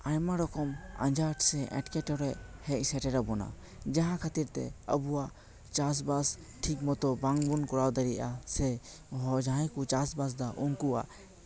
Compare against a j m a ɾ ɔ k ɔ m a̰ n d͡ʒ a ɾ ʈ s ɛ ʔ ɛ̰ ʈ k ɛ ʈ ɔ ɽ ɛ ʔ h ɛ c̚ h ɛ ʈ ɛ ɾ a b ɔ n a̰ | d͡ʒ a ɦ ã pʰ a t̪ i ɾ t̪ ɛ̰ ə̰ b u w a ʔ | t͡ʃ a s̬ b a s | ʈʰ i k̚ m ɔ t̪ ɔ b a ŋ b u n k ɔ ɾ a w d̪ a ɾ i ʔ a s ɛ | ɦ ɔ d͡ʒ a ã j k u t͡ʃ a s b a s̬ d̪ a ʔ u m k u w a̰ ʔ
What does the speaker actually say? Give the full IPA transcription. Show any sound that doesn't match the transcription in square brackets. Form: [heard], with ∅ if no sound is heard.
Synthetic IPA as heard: a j m a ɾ ɔ k ɔ m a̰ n d͡ʒ a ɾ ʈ s ɛ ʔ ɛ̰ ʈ k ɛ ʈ ɔ [ɾ] ɛ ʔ h ɛ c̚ [s] ɛ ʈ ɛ ɾ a b ɔ n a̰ | d͡ʒ a ɦ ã [kʰ] a t̪ i ɾ t̪ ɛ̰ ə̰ b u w a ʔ | t͡ʃ a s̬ b a s | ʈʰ i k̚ m ɔ t̪ ɔ b a ŋ b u n k ɔ ɾ a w d̪ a ɾ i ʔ a s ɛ | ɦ ɔ d͡ʒ a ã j k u t͡ʃ a s b a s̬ d̪ a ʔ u [ŋ] k u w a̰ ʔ